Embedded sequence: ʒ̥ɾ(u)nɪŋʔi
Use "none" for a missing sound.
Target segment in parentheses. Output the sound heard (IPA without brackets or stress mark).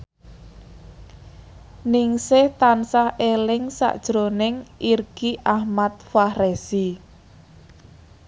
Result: o